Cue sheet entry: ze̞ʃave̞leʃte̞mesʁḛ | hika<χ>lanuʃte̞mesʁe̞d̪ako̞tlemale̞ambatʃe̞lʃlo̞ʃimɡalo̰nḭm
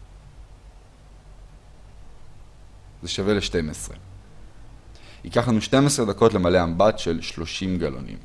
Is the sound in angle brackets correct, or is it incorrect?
correct